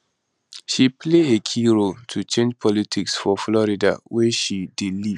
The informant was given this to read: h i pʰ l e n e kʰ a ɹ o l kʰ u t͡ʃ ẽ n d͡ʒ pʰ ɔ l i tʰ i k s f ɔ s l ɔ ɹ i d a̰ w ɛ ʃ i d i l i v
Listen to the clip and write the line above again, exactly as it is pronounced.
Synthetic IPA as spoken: ʃ i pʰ l e e kʰ i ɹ o l tʰ u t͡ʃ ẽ n d͡ʒ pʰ ɔ l i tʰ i k s f ɔ f l ɔ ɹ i d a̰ w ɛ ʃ i d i l i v